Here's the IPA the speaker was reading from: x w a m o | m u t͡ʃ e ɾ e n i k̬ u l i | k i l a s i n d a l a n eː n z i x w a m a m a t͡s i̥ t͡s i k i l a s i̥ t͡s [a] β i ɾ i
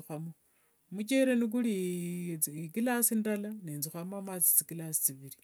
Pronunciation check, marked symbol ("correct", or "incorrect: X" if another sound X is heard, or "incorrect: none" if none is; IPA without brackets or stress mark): incorrect: i